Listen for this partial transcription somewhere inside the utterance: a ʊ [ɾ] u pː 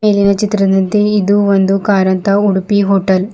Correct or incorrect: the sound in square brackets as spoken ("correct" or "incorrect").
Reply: incorrect